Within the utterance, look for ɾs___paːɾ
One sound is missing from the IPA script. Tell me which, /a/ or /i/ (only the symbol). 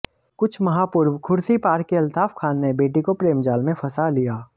i